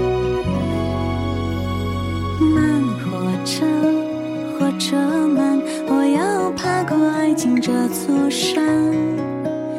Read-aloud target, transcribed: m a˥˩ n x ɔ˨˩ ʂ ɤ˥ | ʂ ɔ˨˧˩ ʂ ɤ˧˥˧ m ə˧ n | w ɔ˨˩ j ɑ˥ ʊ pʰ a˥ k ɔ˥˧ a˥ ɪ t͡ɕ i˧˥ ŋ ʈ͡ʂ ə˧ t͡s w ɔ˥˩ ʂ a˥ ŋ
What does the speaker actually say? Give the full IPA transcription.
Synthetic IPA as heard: m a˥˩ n x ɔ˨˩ ʈ͡ʂ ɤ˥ | x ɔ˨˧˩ ʈ͡ʂ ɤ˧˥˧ m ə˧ n | w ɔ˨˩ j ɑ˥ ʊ pʰ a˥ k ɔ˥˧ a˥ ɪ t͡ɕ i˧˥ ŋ ʈ͡ʂ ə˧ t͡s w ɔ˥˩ ʂ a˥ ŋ